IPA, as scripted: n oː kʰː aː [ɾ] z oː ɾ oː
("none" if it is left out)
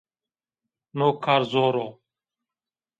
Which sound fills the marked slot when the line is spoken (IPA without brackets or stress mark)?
ɾ